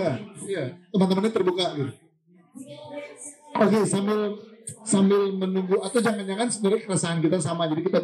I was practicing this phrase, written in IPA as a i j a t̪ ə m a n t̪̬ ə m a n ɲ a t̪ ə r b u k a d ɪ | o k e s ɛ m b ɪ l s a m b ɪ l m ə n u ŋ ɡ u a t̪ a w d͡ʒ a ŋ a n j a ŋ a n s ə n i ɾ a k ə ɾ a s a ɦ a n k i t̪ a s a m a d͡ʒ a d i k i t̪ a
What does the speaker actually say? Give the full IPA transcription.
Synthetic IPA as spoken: a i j a t̪ ə m a n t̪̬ ə m a n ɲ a t̪ ə r b u k a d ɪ | o k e s a m b ɪ l s a m b ɪ l m ə n u ŋ ɡ u a t̪ a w d͡ʒ a ŋ a n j a ŋ a n s ə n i ɾ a k ə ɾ a s a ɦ a n k i t̪ a s a m a d͡ʒ a d i k i t̪ a